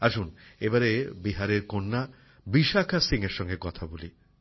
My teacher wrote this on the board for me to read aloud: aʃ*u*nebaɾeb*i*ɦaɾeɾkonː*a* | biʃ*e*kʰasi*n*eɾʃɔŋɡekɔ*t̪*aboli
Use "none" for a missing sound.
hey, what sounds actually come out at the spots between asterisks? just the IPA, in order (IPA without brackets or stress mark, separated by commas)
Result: u, i, a, a, ŋ, t̪ʰ